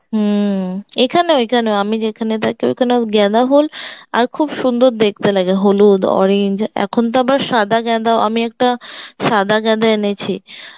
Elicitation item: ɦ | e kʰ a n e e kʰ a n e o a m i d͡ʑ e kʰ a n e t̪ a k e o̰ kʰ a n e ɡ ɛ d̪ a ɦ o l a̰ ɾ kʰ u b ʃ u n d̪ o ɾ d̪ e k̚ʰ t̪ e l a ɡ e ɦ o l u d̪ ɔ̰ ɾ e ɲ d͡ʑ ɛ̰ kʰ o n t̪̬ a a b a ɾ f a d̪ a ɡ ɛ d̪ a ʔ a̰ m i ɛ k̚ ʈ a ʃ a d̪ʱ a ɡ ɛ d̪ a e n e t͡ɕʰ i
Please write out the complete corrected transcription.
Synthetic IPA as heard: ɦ | e kʰ a n e e kʰ a n e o a m i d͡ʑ e kʰ a n e t̪ a k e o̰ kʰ a n e ɡ ɛ d̪ a ɦ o l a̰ ɾ kʰ u b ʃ u n d̪ o ɾ d̪ e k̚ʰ t̪ e l a ɡ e ɦ o l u d̪ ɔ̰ ɾ e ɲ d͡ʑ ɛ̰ kʰ o n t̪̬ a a b a ɾ ʃ a d̪ a ɡ ɛ d̪ a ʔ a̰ m i ɛ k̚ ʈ a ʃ a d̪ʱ a ɡ ɛ d̪ a e n e t͡ɕʰ i